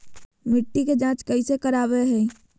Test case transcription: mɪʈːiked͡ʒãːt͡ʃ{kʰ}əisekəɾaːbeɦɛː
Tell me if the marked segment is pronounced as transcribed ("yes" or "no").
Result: no